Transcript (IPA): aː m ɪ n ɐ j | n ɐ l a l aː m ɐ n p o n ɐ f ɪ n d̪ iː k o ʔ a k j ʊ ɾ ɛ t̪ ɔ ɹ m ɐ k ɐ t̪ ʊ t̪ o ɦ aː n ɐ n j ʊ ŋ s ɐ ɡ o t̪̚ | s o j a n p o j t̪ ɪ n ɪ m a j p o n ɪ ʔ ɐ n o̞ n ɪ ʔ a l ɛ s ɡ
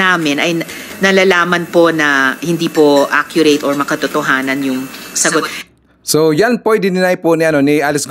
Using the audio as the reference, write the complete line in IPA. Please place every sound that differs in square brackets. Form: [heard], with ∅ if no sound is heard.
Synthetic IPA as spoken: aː m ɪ n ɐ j | n ɐ l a l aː m ɐ n p o n ɐ [h] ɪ n d̪ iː [p] o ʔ a k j ʊ ɾ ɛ t̪ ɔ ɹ m ɐ k ɐ t̪ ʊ t̪ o ɦ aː n ɐ n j ʊ ŋ s ɐ ɡ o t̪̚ | s o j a n p o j [d̪] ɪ n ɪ [n] a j p o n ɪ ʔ ɐ n o̞ n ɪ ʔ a l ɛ s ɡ